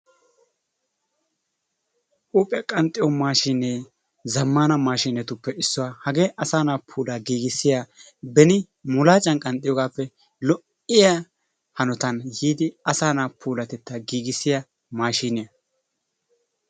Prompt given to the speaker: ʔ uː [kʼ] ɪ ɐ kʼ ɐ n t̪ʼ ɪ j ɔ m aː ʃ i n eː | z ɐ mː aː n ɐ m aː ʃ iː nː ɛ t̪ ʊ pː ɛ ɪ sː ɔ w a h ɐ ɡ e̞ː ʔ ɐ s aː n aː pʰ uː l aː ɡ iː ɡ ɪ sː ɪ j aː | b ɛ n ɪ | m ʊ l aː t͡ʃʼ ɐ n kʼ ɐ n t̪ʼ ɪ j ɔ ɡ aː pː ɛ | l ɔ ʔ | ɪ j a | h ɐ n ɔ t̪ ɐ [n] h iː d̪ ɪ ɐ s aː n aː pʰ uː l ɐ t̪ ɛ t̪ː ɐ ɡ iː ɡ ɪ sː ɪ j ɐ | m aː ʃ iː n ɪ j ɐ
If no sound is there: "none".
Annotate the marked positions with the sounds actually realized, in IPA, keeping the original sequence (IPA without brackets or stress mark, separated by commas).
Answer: pʼ, n